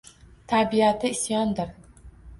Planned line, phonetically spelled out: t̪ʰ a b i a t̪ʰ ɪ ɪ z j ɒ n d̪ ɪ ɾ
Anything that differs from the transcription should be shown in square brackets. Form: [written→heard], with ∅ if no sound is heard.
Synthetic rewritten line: t̪ʰ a b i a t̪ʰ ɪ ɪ [z→s] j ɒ n d̪ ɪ ɾ